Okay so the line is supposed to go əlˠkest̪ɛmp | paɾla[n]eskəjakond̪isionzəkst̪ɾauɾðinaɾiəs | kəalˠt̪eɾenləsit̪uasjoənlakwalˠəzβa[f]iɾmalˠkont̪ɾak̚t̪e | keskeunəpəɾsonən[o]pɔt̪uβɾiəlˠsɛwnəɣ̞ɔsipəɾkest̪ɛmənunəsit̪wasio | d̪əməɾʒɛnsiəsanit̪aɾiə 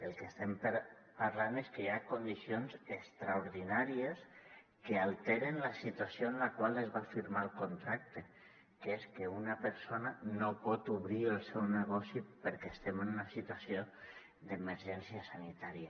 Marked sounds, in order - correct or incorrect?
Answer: correct, correct, correct

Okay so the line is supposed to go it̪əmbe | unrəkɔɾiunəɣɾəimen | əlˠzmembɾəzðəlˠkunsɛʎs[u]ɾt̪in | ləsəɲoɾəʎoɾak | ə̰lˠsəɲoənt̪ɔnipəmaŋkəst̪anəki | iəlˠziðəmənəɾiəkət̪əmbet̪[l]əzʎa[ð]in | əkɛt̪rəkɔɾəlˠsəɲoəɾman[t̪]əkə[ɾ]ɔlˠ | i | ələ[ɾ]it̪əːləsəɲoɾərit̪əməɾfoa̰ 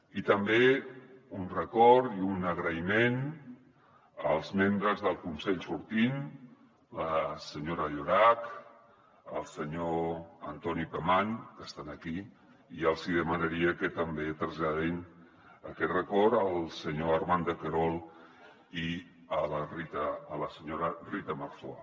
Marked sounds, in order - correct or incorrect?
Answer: correct, incorrect: ɾ, correct, incorrect: d̪, correct, incorrect: r

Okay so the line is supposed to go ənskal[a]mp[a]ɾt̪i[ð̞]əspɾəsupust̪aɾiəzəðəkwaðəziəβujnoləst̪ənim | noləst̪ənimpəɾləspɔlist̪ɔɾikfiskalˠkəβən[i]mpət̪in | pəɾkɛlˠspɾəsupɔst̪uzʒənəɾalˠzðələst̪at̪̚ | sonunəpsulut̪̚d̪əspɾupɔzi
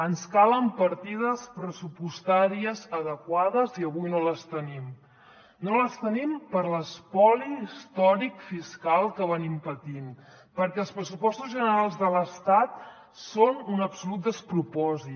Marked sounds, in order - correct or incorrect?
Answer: incorrect: ə, incorrect: ə, correct, correct

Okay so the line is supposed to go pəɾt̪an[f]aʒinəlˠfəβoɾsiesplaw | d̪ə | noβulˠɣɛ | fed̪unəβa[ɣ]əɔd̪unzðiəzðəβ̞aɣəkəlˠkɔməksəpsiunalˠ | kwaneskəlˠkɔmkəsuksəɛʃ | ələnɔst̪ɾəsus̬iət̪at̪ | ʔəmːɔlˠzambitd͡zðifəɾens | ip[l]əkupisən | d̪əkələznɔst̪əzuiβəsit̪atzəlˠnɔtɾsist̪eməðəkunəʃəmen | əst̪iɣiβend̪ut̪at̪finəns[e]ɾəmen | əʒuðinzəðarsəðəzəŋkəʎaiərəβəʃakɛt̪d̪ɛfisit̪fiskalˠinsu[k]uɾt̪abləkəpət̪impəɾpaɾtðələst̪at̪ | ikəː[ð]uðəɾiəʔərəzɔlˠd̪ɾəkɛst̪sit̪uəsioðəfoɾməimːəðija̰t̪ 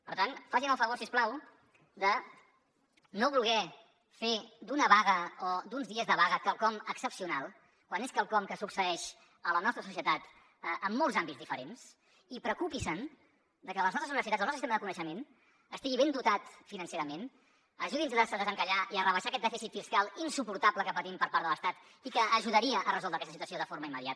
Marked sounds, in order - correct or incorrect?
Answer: correct, correct, incorrect: ɾ, correct, incorrect: p, incorrect: ʒ

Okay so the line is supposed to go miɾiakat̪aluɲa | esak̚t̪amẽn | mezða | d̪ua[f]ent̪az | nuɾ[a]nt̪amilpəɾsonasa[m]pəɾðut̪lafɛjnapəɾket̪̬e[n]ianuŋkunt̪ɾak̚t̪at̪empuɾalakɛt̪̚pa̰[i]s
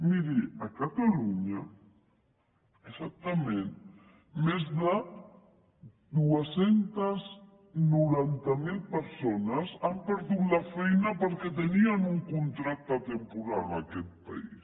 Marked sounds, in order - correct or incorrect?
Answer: incorrect: s, correct, correct, correct, correct

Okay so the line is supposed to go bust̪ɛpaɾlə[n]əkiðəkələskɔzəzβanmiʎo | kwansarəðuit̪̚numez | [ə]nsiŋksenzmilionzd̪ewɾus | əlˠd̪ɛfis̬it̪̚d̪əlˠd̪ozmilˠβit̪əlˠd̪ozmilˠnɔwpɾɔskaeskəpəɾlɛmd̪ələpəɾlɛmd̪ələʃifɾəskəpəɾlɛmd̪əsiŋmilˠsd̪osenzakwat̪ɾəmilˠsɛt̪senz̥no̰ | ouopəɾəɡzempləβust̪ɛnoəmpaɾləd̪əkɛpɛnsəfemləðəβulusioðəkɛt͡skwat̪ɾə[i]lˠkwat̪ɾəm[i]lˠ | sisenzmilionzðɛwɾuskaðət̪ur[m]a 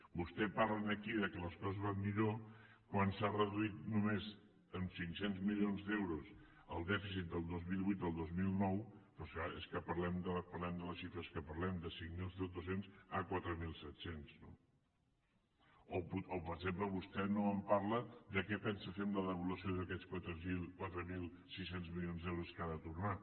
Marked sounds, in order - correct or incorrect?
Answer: correct, correct, correct, correct, incorrect: n

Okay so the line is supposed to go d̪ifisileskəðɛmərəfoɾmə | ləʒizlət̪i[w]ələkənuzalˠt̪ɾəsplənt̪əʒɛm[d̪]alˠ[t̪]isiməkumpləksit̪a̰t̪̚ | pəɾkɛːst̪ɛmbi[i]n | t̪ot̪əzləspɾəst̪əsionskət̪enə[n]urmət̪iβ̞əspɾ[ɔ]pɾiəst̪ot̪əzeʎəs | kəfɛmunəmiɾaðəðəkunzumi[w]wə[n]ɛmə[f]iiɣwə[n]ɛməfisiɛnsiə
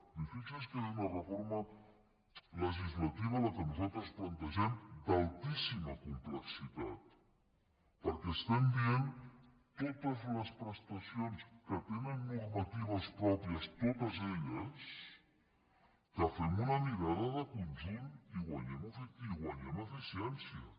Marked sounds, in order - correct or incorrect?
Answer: incorrect: β, correct, correct, incorrect: e, incorrect: nː, correct, incorrect: ɣ, incorrect: ɲ, correct, incorrect: ɲ

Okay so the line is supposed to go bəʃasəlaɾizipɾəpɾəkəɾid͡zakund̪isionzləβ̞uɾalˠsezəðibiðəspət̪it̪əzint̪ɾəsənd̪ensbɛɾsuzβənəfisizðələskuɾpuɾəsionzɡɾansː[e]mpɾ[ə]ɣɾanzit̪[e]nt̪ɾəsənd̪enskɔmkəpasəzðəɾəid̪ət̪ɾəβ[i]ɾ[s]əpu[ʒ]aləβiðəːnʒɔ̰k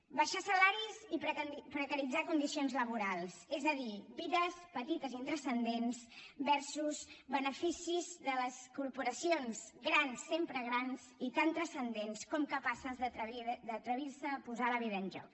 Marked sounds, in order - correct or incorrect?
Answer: correct, correct, incorrect: a, correct, correct, incorrect: z

